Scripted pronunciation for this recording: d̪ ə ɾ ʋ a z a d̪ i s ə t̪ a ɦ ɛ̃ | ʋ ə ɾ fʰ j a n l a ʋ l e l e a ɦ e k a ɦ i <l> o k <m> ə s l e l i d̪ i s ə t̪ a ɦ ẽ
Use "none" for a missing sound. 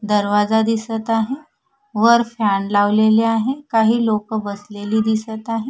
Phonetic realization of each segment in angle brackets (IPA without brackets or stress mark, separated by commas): l, b